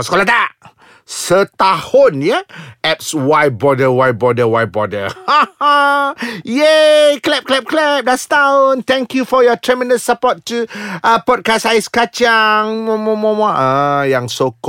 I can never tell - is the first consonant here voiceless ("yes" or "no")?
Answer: yes